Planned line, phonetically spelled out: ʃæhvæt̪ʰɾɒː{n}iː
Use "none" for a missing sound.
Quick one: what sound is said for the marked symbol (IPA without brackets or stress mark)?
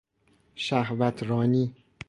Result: n